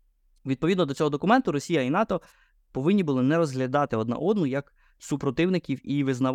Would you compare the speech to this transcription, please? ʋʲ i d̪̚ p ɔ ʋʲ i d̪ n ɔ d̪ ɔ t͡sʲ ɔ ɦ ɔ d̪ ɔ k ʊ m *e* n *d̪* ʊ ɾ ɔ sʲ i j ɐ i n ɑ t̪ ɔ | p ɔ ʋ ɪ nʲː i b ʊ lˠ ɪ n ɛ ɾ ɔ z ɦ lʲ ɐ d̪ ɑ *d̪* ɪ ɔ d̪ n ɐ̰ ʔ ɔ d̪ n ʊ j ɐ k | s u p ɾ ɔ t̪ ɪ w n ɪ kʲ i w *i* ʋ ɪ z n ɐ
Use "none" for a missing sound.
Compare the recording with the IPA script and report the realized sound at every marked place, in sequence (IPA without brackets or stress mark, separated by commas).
ɛ, t̪, t̪, i